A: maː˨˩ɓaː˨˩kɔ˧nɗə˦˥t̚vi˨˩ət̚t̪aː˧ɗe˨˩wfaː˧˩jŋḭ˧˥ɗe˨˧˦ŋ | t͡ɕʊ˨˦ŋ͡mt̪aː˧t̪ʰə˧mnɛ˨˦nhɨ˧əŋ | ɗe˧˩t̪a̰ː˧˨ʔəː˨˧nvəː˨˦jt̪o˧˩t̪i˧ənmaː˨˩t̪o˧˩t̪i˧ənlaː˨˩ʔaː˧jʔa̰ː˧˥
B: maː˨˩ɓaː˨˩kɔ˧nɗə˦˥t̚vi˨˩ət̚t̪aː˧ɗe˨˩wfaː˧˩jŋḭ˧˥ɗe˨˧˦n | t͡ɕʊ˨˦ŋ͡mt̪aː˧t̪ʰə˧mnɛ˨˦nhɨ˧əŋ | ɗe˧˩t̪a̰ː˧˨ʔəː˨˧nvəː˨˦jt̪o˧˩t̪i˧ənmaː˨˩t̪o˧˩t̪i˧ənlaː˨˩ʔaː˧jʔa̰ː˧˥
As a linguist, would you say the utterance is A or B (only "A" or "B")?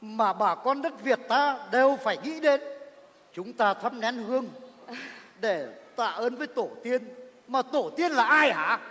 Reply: B